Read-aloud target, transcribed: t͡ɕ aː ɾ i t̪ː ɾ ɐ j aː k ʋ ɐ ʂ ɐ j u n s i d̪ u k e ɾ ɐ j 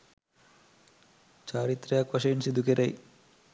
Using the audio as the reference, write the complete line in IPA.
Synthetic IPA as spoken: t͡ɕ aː ɾ i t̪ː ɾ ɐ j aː k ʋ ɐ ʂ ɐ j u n s i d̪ u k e ɾ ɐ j